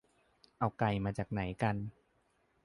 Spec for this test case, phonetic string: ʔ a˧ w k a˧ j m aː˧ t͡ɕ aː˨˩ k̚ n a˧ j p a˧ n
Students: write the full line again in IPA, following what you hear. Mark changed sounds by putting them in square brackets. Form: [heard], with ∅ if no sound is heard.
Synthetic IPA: ʔ a˧ w k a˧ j m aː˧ t͡ɕ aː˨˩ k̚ n [a˩˦] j [k] a˧ n